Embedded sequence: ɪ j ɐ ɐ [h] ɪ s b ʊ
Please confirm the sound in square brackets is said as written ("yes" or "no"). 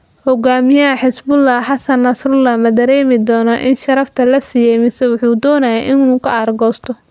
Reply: no